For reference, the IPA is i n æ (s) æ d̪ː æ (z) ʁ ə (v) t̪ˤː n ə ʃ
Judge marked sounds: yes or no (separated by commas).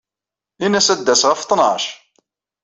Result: yes, no, no